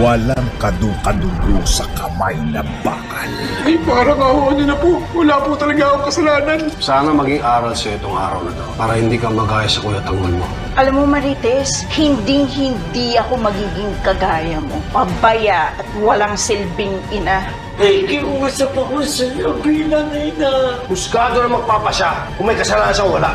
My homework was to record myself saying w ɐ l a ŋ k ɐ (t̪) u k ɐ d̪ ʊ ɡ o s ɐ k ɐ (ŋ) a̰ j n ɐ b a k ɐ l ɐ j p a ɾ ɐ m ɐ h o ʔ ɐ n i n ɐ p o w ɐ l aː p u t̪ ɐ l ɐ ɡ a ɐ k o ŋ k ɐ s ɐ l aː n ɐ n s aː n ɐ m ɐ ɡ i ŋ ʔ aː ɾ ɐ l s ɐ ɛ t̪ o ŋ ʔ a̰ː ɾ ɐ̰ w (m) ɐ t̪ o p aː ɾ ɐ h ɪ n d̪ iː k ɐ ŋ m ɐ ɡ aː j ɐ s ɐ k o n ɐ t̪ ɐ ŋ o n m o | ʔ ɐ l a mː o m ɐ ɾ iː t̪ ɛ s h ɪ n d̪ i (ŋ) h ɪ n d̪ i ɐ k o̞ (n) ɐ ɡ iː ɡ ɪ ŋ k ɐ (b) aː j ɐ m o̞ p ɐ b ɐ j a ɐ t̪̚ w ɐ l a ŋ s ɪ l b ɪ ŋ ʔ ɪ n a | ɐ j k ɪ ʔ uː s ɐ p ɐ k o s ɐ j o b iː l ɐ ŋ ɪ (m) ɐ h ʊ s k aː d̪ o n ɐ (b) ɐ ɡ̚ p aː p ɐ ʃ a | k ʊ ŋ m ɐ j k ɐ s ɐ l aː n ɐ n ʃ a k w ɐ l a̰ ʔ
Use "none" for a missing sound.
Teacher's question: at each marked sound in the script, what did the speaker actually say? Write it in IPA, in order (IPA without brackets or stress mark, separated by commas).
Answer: d̪, m, n, ŋ, m, ɡ, n, m